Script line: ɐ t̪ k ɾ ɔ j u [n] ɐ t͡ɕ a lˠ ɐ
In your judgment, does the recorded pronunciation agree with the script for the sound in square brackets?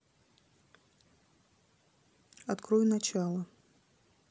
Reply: yes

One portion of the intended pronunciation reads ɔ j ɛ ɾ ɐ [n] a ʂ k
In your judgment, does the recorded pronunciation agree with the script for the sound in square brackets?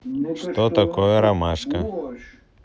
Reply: no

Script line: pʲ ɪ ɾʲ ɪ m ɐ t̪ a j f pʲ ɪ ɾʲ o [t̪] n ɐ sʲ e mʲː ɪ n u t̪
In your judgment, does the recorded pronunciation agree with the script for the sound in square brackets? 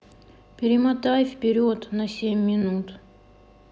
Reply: yes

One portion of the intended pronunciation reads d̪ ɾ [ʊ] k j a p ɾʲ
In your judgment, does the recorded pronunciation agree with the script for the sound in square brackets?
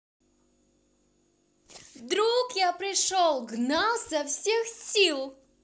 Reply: no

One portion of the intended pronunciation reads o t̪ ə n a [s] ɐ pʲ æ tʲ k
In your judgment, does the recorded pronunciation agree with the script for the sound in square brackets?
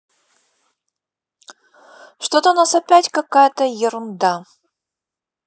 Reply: yes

